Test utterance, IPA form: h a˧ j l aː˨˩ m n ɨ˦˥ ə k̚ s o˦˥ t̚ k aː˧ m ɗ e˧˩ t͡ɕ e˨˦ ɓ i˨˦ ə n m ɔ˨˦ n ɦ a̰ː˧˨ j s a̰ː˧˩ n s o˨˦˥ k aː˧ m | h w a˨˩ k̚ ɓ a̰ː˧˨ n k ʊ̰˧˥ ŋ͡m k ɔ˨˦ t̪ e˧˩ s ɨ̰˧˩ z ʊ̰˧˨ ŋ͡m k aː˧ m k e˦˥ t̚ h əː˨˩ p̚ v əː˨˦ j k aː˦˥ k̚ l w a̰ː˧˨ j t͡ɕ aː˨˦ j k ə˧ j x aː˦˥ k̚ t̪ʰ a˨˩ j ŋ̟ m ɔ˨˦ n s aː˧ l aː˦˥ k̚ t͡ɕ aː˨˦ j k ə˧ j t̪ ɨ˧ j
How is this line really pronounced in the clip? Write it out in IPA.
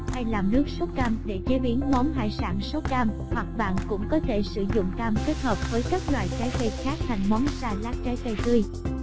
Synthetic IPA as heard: h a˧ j l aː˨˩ m n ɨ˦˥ ə k̚ s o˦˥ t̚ k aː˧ m ɗ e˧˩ t͡ɕ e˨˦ ɓ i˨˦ ə n m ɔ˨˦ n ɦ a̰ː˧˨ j s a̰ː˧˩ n s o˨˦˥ k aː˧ m | h w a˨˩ k̚ ɓ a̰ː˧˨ n k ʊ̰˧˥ ŋ͡m k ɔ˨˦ t̪ʰ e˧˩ s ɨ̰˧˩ z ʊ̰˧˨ ŋ͡m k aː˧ m k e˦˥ t̚ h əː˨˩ p̚ v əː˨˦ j k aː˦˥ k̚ l w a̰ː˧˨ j t͡ɕ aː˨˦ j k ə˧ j x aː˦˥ k̚ t̪ʰ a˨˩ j ŋ̟ m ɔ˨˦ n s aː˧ l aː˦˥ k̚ t͡ɕ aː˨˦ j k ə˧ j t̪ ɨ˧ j